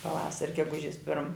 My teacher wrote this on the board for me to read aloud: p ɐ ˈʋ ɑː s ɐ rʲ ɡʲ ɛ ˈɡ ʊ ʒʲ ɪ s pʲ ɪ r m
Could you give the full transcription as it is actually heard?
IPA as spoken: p ɐ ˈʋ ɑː s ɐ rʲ ɡʲ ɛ ˈɡ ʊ ʒʲ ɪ s pʲ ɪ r m